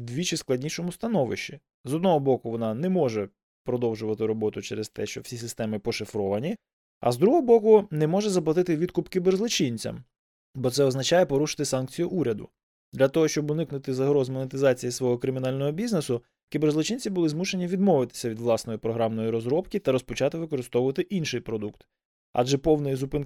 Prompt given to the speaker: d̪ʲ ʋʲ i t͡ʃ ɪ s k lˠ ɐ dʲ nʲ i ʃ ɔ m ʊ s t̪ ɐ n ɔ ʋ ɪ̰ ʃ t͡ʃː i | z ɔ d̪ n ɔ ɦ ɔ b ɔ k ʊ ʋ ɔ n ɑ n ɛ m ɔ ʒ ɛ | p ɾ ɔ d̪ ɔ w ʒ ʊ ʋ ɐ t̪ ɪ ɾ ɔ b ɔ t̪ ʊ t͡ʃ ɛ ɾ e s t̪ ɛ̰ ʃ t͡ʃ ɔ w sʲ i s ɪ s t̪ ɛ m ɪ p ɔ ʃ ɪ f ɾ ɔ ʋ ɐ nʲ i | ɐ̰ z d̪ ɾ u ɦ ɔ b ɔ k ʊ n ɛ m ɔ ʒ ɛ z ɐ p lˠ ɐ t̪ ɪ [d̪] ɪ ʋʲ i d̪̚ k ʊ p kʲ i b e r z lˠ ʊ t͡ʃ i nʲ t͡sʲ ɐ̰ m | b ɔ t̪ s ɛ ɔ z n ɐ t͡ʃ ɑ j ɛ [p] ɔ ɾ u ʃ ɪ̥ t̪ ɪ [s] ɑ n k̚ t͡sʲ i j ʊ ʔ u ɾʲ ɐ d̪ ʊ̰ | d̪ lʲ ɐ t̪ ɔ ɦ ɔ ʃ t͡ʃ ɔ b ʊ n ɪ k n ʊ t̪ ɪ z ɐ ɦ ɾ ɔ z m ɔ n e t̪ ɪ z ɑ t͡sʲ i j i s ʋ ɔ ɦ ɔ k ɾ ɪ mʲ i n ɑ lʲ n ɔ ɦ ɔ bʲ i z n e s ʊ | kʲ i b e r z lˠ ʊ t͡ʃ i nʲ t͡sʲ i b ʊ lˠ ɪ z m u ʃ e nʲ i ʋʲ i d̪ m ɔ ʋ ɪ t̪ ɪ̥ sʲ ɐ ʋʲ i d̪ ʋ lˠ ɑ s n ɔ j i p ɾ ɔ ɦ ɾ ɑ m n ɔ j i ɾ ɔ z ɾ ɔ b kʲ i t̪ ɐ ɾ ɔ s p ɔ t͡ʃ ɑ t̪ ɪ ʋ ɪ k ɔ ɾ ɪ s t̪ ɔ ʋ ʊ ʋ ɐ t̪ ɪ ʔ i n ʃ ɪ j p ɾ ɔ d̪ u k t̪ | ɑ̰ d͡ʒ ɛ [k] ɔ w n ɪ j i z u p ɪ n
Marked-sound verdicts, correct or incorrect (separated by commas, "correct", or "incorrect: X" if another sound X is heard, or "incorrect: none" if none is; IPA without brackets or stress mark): incorrect: t̪, correct, correct, incorrect: p